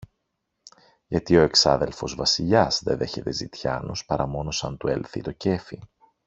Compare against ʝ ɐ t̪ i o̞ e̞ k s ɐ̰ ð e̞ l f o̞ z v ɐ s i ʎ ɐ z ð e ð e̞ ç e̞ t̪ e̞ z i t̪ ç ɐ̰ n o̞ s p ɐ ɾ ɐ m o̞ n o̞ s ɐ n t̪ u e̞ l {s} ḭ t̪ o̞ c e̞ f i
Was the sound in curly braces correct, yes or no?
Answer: no